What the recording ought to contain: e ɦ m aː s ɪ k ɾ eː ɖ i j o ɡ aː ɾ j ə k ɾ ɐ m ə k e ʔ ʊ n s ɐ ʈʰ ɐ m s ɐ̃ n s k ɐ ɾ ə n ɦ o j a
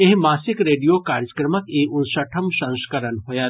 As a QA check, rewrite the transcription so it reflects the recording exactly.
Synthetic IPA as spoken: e ɦ m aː s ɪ k ɾ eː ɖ i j o k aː ɾ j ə k ɾ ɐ m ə k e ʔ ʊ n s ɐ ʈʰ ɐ m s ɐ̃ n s k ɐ ɾ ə n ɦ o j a